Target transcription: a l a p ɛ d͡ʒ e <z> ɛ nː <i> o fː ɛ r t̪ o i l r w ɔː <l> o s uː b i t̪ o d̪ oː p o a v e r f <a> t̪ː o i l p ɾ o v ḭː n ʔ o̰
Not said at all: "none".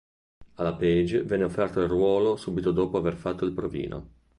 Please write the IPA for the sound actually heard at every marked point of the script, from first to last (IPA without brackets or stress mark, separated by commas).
v, e, l, a